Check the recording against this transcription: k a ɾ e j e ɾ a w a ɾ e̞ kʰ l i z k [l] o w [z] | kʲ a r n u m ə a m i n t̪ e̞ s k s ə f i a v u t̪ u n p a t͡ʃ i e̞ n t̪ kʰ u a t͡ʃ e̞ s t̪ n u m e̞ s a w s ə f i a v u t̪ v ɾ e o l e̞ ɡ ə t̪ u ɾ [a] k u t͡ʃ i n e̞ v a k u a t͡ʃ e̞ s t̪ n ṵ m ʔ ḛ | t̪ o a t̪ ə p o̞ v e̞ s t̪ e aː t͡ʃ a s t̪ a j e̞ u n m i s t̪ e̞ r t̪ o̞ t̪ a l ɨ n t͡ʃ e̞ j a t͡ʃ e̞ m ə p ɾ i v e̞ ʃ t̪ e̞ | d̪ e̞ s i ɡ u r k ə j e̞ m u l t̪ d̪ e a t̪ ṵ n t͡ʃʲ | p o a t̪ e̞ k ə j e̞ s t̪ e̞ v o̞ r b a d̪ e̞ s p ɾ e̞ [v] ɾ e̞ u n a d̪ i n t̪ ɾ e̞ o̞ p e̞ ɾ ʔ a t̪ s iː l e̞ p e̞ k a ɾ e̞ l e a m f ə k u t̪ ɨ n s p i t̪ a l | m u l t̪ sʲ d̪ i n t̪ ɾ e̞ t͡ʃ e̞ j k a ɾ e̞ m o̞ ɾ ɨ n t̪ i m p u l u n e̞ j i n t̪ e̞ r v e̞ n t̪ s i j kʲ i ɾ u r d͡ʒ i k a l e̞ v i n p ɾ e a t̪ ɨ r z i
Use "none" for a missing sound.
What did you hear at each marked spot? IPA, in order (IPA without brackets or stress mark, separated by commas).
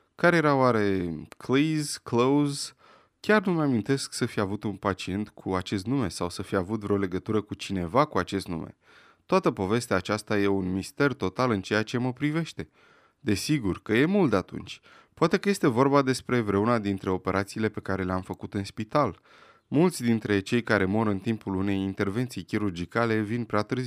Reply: l, z, ə, v